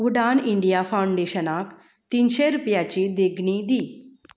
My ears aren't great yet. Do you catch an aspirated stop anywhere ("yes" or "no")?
no